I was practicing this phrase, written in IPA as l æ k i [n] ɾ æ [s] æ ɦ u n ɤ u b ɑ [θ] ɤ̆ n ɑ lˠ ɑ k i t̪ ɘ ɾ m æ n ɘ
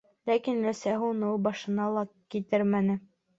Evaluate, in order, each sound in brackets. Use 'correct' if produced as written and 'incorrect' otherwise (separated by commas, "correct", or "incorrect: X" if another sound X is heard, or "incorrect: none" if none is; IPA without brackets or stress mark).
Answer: correct, correct, incorrect: ʃ